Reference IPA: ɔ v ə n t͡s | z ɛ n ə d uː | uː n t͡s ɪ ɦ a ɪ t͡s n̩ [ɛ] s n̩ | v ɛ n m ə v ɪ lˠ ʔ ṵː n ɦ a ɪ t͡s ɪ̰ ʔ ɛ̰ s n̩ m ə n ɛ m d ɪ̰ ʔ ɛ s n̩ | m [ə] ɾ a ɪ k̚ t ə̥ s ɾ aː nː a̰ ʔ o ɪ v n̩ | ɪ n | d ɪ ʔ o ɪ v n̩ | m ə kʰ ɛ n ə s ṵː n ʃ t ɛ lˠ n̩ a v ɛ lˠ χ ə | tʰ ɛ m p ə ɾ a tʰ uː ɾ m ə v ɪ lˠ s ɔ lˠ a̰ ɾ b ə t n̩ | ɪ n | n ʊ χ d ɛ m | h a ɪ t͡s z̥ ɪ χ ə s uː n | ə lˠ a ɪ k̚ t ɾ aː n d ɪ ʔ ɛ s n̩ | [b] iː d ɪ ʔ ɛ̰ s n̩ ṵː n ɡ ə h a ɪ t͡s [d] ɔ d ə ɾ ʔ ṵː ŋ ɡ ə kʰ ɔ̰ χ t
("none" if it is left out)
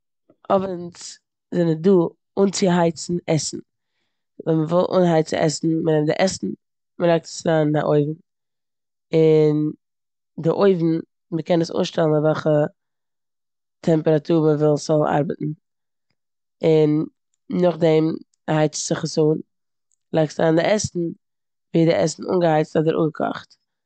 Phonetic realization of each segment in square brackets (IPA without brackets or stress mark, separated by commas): ɛ, ə, v, t